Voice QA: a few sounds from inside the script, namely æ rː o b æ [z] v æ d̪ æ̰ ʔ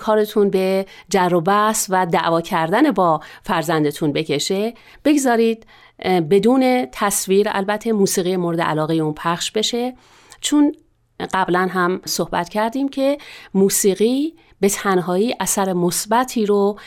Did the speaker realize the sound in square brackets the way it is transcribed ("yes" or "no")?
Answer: no